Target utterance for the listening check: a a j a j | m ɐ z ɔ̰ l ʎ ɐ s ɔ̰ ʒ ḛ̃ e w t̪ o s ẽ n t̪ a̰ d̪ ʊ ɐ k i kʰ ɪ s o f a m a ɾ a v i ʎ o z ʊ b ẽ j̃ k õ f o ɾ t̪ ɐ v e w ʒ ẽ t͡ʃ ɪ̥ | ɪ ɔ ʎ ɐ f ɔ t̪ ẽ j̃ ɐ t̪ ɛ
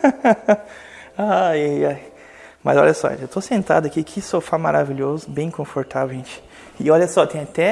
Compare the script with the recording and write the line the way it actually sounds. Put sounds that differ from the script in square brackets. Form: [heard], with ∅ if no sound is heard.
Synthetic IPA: a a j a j | m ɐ z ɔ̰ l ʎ ɐ s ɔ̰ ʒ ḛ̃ e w t̪ o s ẽ n t̪ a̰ d̪ ʊ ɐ k i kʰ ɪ s o f a m a ɾ a v i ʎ o z ʊ b ẽ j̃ k õ f o ɾ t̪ [a] v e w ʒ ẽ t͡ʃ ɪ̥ | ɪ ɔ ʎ ɐ [s] ɔ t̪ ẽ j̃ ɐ t̪ ɛ